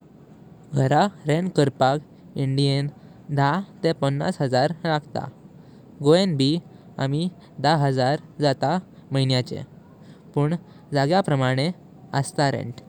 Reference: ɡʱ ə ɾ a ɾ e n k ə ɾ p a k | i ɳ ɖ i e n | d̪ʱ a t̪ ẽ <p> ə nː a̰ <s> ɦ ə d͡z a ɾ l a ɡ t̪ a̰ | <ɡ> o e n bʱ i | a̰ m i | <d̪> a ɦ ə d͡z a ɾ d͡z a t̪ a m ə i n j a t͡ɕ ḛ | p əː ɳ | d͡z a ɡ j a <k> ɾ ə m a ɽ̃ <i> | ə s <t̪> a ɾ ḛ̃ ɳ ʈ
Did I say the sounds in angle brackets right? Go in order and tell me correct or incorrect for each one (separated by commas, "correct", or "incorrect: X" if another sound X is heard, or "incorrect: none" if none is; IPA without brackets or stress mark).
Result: correct, correct, correct, correct, incorrect: p, incorrect: e, correct